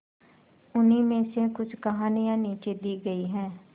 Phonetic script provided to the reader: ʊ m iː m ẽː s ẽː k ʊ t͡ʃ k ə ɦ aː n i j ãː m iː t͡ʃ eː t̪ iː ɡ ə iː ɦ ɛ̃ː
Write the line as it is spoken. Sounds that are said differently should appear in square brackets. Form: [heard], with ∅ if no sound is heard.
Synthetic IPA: ʊ [n] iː m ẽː s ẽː k ʊ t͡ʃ k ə ɦ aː n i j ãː [n] iː t͡ʃ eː [d̪] iː ɡ ə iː ɦ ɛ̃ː